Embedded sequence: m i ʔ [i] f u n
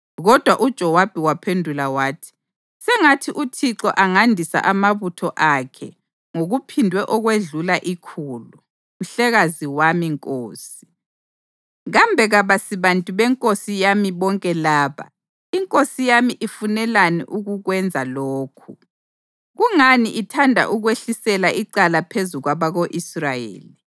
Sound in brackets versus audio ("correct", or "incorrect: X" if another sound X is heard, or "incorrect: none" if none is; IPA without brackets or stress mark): correct